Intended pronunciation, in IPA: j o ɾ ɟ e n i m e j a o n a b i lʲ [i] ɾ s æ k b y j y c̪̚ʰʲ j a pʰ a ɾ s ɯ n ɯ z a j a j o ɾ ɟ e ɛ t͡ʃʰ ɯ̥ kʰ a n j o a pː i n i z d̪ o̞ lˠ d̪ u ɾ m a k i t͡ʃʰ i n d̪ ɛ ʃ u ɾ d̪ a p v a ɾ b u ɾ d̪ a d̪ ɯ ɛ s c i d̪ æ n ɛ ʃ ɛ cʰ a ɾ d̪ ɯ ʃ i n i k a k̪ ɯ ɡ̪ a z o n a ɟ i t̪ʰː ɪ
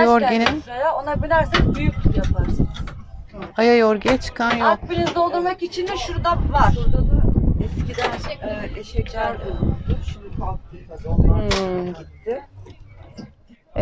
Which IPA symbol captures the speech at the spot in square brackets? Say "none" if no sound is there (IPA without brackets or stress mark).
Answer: æ